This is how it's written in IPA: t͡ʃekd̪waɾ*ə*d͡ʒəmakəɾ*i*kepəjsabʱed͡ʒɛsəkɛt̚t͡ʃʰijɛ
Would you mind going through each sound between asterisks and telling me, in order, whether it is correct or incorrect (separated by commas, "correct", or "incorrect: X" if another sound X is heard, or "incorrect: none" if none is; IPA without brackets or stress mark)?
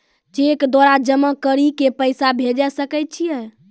incorrect: a, correct